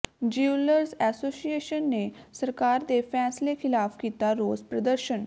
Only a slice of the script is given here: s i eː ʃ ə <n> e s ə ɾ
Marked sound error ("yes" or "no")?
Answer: yes